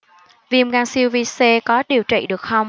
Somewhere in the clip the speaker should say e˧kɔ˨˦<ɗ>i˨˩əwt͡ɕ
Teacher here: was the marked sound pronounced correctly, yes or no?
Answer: yes